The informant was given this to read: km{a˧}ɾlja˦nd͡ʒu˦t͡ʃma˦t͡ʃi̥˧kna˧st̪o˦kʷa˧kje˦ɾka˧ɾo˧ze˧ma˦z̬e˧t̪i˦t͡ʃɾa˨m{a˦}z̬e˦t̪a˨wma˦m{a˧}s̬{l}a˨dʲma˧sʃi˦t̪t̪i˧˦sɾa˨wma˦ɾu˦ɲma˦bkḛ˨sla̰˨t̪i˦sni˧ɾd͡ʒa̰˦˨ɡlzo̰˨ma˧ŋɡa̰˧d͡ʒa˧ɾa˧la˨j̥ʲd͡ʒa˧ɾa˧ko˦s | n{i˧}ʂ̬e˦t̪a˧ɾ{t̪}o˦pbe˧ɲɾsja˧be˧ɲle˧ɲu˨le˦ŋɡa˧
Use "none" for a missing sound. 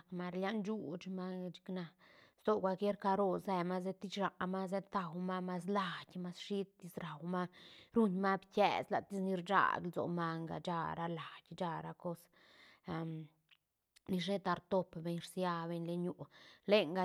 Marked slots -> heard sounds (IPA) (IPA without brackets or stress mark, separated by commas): a˧, a˦, a˧, l, i˧, t̪